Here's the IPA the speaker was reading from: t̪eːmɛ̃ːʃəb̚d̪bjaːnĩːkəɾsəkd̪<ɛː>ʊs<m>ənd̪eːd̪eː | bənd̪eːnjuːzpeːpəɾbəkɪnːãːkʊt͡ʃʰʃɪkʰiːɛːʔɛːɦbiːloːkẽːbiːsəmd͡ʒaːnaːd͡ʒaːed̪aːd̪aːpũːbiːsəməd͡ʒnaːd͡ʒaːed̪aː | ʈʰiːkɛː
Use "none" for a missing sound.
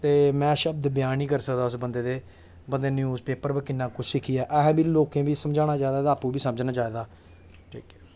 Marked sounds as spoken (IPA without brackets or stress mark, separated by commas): aː, b